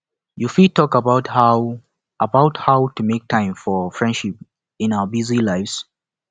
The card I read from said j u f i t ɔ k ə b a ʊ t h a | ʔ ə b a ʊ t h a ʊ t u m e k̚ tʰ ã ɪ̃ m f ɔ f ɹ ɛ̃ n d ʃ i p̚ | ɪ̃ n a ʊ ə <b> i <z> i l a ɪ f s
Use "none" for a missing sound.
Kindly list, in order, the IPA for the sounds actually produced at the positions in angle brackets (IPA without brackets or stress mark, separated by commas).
b, z